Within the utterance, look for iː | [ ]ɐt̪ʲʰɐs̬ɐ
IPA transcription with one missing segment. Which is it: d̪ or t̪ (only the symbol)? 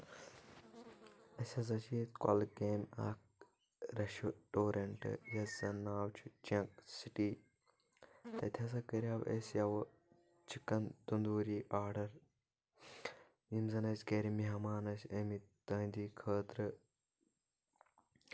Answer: t̪